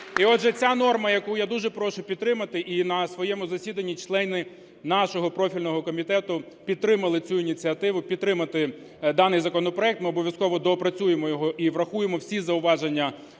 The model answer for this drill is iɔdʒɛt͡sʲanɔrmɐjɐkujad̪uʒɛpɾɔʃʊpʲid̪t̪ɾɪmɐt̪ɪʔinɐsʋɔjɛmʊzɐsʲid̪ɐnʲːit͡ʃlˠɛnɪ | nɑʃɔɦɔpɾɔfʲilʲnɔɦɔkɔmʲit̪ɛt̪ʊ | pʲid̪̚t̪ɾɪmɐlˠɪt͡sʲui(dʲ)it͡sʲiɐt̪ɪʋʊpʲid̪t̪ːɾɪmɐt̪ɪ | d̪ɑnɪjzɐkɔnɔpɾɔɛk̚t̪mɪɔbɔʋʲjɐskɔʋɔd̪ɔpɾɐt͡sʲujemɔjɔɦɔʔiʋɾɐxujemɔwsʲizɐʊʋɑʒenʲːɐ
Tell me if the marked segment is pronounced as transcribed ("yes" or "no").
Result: no